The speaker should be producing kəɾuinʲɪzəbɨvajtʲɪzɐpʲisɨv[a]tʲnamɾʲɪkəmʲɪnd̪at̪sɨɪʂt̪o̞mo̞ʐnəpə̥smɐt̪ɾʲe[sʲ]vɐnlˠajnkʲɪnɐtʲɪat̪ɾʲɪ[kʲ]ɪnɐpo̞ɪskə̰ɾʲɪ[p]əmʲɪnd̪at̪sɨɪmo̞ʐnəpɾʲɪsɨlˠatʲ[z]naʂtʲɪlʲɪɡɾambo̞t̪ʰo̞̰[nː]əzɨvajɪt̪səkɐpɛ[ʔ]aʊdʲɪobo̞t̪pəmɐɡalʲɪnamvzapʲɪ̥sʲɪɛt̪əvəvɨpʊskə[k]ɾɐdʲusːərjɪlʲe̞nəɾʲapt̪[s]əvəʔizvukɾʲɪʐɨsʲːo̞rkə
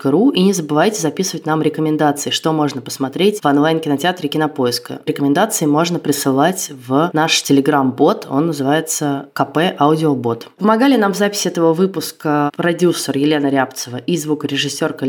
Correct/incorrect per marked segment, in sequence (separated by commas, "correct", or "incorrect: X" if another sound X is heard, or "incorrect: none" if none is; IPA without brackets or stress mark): incorrect: ə, incorrect: tʲ, correct, incorrect: k, incorrect: v, correct, correct, incorrect: p, correct